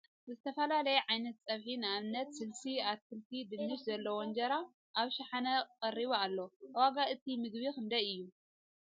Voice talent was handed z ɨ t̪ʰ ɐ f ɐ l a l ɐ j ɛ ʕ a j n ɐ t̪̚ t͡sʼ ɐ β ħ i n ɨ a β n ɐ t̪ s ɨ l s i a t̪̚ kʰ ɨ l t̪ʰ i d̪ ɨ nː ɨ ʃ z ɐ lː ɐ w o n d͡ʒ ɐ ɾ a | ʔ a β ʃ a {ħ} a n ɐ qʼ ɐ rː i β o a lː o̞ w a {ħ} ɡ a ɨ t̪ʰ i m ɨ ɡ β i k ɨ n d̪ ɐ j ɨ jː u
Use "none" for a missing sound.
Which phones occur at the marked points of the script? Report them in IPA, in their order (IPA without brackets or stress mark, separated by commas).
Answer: ħ, none